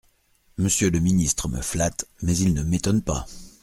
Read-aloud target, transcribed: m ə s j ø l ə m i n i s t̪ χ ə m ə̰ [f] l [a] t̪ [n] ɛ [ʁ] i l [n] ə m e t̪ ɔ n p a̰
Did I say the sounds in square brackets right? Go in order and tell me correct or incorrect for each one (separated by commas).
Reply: correct, correct, incorrect, incorrect, correct